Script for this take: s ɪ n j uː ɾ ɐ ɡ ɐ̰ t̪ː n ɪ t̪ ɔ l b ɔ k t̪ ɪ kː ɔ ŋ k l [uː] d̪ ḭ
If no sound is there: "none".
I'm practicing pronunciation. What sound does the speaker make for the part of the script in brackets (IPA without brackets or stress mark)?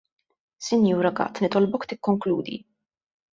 uː